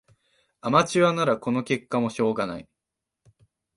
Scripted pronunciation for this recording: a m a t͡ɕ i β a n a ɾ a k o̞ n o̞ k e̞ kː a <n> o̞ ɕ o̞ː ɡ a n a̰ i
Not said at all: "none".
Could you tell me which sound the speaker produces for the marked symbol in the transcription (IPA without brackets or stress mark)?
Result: m